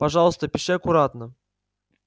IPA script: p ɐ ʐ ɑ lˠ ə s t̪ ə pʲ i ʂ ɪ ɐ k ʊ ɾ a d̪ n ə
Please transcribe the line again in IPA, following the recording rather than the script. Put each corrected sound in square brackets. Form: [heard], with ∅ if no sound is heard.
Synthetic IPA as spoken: p ɐ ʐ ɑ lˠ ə s t̪ ə pʲ [ɪ] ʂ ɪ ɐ k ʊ ɾ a [t̪] n ə